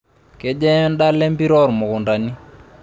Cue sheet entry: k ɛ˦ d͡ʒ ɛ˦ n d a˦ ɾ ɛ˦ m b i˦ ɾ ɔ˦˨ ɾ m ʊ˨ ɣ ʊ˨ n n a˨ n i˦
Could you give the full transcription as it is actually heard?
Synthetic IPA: k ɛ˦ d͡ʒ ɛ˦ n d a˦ l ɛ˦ m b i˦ ɾ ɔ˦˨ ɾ m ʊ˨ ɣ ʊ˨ n d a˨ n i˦